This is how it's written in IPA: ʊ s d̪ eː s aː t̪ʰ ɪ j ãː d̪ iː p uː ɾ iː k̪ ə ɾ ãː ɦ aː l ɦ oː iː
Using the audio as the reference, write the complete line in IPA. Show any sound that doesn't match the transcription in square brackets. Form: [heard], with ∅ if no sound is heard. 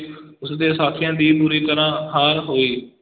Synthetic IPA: ʊ s d̪ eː s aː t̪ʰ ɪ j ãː d̪ iː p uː ɾ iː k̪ ə ɾ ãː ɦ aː [ɾ] ɦ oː iː

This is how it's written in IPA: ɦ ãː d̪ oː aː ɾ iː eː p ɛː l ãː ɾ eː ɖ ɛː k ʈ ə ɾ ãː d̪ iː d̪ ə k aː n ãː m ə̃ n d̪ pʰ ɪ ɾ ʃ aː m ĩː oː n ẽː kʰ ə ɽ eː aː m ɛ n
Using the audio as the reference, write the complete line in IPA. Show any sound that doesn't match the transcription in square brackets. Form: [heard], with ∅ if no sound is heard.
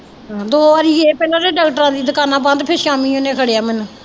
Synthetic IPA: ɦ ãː d̪ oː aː ɾ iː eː p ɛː l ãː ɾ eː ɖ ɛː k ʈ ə ɾ ãː d̪ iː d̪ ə k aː n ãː [b] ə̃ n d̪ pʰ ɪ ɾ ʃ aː m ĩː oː n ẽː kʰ ə ɽ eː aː m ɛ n

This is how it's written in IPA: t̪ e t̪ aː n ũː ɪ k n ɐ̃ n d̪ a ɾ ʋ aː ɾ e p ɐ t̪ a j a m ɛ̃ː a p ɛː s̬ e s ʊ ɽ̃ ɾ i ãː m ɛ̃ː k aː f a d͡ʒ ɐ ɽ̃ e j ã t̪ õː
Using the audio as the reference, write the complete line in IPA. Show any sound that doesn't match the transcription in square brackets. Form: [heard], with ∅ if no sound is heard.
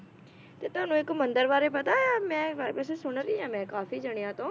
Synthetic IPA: t̪ e t̪ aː n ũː ɪ k [m] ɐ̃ n d̪ [ə] ɾ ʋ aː ɾ e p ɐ t̪ a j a m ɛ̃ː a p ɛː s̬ e s ʊ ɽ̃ ɾ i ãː m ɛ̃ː k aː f [i] d͡ʒ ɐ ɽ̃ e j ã t̪ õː

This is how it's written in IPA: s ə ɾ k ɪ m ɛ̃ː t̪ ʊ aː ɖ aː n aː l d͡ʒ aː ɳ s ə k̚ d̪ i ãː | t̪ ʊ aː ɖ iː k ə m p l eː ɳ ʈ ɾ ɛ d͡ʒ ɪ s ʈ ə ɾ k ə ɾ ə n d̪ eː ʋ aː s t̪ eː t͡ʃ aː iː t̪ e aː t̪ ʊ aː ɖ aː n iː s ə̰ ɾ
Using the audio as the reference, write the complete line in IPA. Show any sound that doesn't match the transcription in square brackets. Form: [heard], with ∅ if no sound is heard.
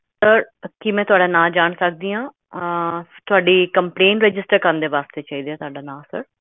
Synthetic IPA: s ə ɾ k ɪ m ɛ̃ː t̪ ʊ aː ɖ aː n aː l d͡ʒ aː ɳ s ə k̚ d̪ [iː] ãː | t̪ ʊ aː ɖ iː k ə m p l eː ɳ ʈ ɾ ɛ d͡ʒ ɪ s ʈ ə ɾ k ə ɾ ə n d̪ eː ʋ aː s t̪ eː t͡ʃ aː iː [d̪] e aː t̪ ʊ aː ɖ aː n [aː] s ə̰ ɾ

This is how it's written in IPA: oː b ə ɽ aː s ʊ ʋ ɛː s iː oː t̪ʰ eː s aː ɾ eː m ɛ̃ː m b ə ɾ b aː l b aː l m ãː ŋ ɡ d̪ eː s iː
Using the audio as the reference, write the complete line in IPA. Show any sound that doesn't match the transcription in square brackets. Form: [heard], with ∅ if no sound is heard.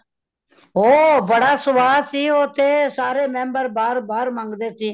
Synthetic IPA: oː b ə ɽ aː s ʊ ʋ [aː] s iː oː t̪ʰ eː s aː ɾ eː m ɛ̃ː m b ə ɾ b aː [ɾ] b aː [ɾ] m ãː ŋ ɡ d̪ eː s iː

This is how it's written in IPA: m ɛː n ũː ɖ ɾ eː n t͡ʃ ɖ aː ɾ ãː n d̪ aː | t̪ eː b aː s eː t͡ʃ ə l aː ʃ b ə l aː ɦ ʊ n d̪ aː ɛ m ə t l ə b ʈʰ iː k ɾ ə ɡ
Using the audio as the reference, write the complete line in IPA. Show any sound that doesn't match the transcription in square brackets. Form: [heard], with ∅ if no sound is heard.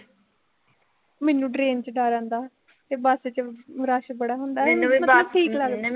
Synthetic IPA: m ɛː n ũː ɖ ɾ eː n t͡ʃ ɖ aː ɾ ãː n d̪ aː | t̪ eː b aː s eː t͡ʃ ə [ɾ] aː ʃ b ə [ɽ] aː ɦ ʊ n d̪ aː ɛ m ə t l ə b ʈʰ iː k [l] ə ɡ

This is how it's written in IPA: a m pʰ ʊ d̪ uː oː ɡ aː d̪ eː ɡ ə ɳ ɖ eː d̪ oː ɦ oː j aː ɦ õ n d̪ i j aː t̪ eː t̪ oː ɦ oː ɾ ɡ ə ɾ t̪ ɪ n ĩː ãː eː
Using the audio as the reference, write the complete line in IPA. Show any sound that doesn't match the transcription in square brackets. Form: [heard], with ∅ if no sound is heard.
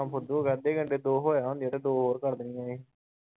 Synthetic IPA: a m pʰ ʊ d̪ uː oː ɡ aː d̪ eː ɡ ə ɳ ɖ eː d̪ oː ɦ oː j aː ɦ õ n d̪ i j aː t̪ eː [d̪] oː ɦ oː ɾ [k] ə ɾ [d̪] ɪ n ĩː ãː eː

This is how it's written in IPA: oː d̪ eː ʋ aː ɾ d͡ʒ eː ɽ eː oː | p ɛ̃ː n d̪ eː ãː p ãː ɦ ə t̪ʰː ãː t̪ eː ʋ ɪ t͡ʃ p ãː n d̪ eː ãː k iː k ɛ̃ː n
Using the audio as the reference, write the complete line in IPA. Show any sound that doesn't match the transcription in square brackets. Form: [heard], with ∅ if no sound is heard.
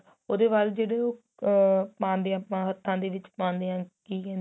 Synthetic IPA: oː d̪ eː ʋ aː [l] d͡ʒ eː ɽ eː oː | p [ãː] n d̪ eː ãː p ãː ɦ ə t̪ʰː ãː [d̪] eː ʋ ɪ t͡ʃ p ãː n d̪ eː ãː k iː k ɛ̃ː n

